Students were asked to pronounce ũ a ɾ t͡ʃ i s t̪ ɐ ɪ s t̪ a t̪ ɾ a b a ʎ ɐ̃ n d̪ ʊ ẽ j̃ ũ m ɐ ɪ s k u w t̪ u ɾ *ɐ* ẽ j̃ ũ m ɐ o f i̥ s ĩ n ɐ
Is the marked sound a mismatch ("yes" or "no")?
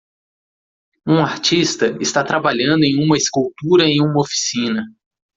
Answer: no